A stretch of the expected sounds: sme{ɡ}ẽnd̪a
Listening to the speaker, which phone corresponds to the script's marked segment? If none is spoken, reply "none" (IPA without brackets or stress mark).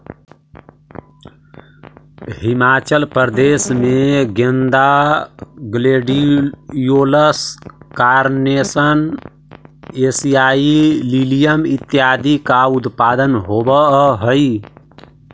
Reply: ɡ